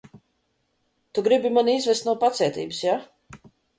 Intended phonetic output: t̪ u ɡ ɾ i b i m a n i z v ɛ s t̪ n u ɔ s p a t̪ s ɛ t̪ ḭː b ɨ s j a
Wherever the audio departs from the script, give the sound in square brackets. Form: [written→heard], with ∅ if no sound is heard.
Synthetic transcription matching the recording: t̪ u ɡ ɾ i b i m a n i z v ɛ s t̪ n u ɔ [s→∅] p a t̪ s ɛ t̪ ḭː b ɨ s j a